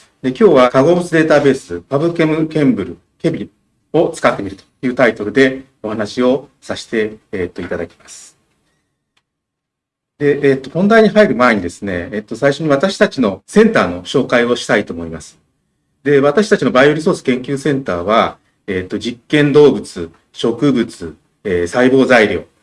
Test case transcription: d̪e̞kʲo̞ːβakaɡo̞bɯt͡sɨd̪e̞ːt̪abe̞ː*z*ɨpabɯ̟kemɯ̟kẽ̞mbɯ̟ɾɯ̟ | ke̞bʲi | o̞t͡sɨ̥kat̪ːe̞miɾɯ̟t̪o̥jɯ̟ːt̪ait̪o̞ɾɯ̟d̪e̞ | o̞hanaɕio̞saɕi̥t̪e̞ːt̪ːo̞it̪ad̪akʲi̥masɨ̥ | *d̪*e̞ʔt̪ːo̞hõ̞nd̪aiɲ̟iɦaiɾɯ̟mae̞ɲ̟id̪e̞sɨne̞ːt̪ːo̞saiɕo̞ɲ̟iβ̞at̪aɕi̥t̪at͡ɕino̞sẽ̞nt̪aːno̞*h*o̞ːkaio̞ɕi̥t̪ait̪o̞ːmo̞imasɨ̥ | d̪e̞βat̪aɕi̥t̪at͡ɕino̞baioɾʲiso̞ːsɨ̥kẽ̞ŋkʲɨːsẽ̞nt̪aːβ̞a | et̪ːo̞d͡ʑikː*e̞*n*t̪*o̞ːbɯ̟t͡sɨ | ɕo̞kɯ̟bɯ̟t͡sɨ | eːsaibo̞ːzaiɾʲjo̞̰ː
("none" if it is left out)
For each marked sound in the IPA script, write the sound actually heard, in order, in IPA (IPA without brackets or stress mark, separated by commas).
s, d̪, ɕ, ẽ̞, d̪